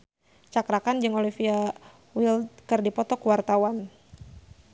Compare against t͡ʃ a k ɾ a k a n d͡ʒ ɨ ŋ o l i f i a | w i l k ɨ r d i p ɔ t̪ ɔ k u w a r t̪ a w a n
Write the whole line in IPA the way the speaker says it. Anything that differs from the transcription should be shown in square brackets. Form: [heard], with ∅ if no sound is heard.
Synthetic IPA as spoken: t͡ʃ a k ɾ a k a n d͡ʒ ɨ ŋ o l i f i a | w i l k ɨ r d i p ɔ t̪ ɔ k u w a r t̪ a w a n

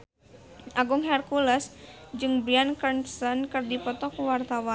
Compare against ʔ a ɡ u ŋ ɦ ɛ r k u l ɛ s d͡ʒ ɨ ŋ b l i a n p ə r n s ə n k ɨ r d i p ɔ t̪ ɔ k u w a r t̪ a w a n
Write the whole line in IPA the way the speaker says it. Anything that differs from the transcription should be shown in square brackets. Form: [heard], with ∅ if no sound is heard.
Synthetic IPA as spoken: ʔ a ɡ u ŋ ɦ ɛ r k u l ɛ s d͡ʒ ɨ ŋ b [ɾ] i a n [k] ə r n s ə n k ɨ r d i p ɔ t̪ ɔ k u w a r t̪ a w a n

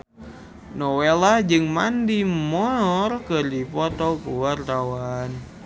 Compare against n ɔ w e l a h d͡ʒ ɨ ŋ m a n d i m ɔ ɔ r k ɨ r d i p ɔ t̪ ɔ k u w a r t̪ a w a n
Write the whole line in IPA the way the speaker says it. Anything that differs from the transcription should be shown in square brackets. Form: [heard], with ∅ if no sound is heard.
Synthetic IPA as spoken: n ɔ w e l a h d͡ʒ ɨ ŋ m a n d i m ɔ ɔ r k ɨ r d i p ɔ t̪ ɔ k u w a r t̪ a w a n

